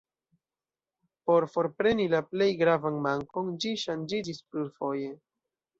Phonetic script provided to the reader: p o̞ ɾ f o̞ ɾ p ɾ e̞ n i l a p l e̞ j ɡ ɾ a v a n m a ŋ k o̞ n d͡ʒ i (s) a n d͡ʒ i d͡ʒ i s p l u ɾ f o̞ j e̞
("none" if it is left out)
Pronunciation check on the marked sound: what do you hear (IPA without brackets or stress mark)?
ʃ